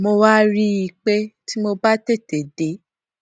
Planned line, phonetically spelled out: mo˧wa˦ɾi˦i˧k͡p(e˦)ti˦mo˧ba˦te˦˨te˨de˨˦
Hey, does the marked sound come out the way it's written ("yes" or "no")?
yes